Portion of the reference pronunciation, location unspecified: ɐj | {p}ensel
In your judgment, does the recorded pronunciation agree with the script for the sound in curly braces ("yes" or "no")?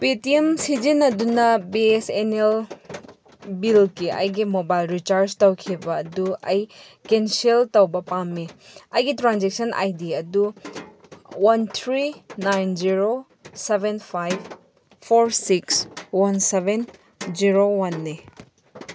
no